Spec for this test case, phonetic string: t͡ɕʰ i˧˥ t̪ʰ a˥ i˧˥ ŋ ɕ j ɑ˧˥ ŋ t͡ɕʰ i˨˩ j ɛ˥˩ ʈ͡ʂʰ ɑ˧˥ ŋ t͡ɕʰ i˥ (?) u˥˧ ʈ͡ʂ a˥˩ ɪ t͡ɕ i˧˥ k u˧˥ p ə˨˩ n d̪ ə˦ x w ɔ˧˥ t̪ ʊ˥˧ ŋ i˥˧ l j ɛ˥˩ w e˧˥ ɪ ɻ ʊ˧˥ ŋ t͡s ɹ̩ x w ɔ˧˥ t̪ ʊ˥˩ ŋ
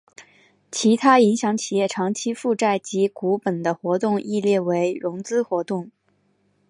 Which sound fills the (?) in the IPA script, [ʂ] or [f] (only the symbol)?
f